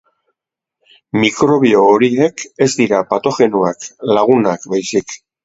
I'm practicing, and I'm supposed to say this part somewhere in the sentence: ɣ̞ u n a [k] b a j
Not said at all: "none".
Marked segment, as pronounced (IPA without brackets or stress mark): k